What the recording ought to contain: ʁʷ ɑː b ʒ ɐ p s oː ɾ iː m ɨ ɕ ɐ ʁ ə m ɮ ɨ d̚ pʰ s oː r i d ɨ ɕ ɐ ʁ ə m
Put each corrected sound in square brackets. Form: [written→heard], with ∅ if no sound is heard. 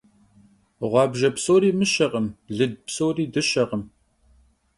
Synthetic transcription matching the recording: ʁʷ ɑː b ʒ ɐ p s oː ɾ iː m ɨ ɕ ɐ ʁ ə m ɮ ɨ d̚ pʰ s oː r [i→iː] d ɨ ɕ ɐ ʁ ə m